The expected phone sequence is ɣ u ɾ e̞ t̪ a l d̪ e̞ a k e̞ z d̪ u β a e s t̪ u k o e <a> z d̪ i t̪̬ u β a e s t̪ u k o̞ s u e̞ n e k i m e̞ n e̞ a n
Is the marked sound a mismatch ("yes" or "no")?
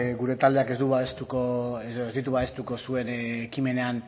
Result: yes